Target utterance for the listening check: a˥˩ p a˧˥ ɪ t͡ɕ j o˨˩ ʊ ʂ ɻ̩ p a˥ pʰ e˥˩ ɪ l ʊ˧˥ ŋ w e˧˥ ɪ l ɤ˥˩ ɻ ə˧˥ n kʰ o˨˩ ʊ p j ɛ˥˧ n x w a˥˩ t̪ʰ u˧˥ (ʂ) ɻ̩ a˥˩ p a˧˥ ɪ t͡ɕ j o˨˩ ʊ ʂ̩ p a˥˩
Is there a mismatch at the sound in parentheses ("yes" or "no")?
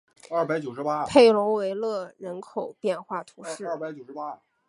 no